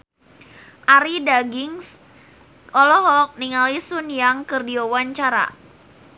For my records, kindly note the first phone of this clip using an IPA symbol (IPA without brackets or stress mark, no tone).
ʔ